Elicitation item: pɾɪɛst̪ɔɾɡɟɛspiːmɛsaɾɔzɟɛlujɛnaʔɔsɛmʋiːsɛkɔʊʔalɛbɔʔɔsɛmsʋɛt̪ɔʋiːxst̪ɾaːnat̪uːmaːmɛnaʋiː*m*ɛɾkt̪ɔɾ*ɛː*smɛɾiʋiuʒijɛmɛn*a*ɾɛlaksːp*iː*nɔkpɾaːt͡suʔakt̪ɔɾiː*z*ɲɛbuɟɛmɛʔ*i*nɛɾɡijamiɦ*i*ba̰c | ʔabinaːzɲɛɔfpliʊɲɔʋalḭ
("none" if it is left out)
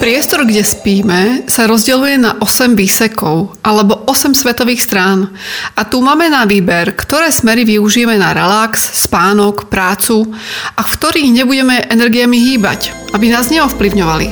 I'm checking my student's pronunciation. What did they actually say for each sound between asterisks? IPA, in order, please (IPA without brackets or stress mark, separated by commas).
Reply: b, ɛː, a, aː, ɣ, ɛ, iː